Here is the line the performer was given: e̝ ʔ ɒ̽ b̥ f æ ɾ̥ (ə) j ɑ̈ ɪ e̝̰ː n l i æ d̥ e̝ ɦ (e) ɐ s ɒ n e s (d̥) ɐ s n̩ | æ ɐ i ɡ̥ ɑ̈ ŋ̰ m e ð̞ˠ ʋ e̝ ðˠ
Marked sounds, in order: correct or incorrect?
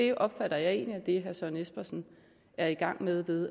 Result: incorrect, incorrect, incorrect

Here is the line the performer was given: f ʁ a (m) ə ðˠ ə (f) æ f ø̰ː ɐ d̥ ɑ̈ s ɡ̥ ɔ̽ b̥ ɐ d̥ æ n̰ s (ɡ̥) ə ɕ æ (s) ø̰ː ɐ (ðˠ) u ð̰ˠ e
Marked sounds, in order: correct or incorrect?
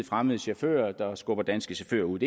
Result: correct, incorrect, correct, incorrect, incorrect

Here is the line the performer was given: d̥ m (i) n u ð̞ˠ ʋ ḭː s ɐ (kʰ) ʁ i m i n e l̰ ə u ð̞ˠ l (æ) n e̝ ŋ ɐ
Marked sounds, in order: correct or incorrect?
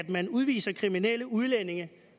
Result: incorrect, correct, incorrect

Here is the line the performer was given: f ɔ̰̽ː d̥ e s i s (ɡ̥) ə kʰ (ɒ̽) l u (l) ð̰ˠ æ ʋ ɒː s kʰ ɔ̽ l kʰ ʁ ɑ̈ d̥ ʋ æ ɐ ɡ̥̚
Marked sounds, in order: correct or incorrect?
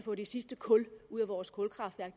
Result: incorrect, incorrect, incorrect

